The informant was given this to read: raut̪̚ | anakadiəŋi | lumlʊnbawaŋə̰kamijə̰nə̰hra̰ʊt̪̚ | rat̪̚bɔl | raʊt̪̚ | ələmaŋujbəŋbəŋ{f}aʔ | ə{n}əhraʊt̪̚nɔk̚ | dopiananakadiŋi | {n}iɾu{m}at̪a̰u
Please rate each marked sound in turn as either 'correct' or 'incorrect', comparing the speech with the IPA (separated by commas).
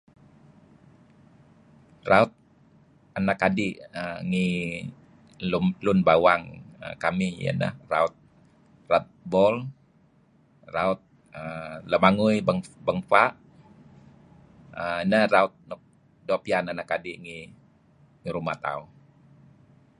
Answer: correct, correct, incorrect, correct